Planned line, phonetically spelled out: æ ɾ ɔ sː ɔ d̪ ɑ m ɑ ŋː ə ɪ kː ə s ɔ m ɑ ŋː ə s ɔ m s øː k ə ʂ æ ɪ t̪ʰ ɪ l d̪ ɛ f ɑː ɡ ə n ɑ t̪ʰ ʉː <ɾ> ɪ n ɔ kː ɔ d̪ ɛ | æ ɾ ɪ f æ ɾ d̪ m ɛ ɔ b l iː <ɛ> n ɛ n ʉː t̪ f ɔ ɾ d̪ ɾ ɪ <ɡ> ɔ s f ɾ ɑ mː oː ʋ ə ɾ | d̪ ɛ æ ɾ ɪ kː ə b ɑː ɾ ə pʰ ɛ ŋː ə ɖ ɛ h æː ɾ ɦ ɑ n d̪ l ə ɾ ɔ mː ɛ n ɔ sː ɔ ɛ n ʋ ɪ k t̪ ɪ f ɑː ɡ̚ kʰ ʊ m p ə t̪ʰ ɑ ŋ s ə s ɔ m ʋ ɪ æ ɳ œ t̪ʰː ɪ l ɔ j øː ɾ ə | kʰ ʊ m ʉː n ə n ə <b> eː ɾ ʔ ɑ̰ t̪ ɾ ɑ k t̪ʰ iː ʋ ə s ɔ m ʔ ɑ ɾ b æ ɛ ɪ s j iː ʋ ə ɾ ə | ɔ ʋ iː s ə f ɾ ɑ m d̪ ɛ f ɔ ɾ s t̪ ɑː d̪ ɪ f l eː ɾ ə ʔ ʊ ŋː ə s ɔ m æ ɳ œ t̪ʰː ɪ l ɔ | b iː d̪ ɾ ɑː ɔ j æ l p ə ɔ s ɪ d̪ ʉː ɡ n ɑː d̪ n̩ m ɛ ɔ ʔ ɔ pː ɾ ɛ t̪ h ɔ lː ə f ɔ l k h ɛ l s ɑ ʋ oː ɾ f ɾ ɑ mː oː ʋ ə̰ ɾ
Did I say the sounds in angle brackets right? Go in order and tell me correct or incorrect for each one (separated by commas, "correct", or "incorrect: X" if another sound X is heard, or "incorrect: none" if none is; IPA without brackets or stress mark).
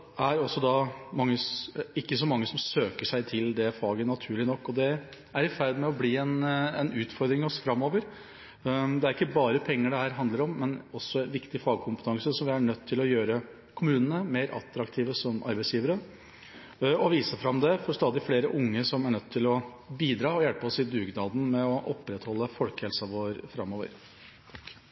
incorrect: ɭ, correct, incorrect: ŋ, incorrect: m